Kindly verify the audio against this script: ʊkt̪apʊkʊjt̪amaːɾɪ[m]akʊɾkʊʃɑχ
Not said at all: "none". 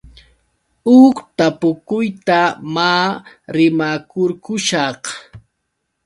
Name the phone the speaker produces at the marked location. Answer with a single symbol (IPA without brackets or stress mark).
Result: m